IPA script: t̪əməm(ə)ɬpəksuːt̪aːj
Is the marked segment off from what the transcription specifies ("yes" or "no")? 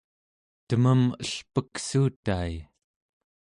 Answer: no